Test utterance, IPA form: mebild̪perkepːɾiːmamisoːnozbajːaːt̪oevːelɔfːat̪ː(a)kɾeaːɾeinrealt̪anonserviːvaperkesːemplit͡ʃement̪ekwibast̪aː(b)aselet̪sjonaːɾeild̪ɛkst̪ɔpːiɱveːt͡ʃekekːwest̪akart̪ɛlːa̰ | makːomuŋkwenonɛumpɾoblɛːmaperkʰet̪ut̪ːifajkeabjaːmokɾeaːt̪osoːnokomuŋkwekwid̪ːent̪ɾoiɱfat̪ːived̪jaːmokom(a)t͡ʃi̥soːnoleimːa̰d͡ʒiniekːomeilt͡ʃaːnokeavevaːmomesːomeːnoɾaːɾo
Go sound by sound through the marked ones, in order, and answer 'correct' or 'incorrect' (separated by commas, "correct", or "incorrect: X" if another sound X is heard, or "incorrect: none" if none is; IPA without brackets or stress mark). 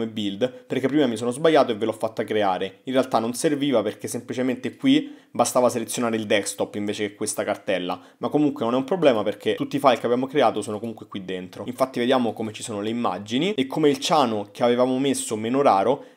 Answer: correct, incorrect: v, incorrect: e